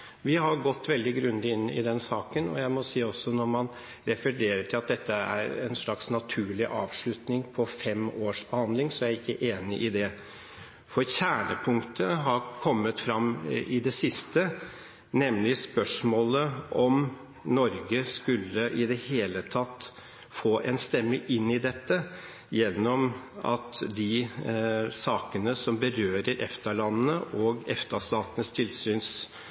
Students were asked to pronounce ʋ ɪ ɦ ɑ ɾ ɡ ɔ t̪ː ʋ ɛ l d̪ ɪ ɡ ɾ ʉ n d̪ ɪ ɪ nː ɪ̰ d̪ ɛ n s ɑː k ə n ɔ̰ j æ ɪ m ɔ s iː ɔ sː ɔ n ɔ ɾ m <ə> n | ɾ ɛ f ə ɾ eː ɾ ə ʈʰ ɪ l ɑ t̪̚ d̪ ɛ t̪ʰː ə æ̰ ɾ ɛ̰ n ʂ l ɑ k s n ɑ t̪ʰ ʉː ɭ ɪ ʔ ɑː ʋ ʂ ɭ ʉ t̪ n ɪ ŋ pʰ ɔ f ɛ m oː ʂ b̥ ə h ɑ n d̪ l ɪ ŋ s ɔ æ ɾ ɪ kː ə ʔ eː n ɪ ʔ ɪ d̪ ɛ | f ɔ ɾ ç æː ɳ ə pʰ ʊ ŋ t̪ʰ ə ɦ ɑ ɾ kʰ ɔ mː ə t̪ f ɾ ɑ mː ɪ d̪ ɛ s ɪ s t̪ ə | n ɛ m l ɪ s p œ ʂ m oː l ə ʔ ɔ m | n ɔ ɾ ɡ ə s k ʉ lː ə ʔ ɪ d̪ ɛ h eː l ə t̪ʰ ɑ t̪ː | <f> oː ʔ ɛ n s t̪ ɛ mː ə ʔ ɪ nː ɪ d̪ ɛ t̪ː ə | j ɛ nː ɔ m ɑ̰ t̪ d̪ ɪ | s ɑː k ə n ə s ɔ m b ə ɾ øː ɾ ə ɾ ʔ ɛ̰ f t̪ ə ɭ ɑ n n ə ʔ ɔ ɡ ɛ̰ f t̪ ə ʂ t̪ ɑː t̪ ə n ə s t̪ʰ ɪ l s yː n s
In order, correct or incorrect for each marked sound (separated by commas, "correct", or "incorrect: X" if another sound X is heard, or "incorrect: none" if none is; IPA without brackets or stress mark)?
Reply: incorrect: ɑ, correct